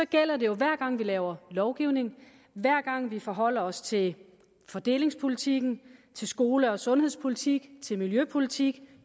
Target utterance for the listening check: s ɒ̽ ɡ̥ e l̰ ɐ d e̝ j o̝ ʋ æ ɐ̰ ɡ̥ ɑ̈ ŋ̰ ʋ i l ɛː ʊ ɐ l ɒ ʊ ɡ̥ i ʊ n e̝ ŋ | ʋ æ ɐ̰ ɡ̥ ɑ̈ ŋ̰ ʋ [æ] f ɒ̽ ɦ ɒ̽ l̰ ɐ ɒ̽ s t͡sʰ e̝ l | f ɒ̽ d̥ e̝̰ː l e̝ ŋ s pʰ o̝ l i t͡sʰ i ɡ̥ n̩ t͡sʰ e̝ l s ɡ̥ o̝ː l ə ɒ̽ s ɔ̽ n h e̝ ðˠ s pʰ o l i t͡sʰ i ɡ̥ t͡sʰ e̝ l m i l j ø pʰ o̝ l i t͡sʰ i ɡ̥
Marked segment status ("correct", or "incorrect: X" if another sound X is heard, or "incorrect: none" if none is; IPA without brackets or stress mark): incorrect: i